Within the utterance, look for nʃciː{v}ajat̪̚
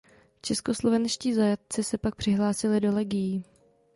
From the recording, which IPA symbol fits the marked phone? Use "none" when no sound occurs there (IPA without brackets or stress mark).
z